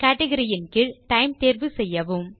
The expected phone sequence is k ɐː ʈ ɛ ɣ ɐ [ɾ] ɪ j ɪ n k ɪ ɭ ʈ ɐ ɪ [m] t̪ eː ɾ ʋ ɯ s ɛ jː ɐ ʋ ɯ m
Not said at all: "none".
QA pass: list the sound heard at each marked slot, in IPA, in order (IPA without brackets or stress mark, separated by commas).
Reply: ɾ, m